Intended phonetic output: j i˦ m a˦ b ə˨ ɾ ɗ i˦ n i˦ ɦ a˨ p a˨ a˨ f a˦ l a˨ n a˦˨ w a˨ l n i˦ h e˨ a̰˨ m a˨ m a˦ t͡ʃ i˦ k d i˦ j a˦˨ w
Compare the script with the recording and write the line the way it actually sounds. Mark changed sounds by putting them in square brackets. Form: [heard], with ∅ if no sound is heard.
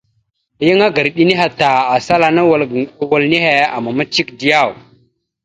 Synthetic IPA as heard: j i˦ [ŋ] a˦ [ɡ] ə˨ ɾ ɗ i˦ n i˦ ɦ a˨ [t] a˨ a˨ [s] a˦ l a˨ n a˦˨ w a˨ l n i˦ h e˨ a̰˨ m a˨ m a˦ t͡ʃ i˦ k d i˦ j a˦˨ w